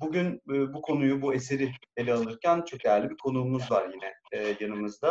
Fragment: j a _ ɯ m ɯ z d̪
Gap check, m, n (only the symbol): n